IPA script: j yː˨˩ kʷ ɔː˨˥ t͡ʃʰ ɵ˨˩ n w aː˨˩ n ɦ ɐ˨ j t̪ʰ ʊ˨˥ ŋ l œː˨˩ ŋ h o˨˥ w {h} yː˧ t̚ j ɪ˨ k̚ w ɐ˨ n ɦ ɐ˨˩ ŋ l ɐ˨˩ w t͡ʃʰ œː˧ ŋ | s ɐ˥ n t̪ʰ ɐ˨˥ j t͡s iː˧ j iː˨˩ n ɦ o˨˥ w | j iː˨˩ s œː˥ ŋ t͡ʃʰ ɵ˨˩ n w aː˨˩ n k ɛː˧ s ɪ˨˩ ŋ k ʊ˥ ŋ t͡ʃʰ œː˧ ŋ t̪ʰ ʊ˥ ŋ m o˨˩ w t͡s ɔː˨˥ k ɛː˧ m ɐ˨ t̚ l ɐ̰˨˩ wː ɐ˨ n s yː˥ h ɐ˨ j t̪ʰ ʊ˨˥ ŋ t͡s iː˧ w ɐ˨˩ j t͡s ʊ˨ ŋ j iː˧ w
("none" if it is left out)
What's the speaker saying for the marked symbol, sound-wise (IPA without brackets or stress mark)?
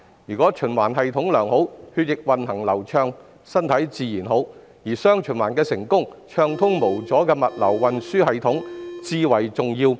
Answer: h